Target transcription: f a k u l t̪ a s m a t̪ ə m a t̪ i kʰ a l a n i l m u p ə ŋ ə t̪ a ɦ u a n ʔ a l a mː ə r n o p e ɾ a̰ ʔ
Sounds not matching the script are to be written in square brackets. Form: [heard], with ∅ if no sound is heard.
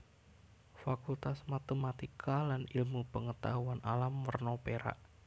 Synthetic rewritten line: f a k u l t̪ a s m a t̪ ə m a t̪ i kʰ a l a n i l m u p ə ŋ ə t̪ a ɦ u a n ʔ a l a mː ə r n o p e ɾ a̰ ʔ